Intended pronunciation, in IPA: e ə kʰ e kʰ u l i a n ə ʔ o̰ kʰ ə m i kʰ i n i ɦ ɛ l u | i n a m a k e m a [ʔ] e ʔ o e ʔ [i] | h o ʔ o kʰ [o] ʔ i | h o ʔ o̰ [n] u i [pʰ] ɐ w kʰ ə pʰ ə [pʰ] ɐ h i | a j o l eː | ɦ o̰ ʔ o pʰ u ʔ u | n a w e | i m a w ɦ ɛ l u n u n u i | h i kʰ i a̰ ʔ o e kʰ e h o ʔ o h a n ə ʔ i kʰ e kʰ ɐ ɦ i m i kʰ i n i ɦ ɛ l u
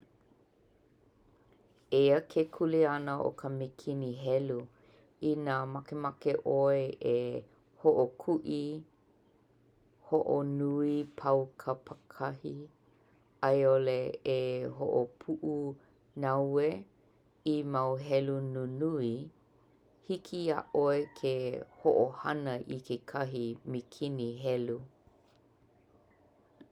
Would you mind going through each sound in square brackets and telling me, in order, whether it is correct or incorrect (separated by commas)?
incorrect, incorrect, incorrect, correct, correct, incorrect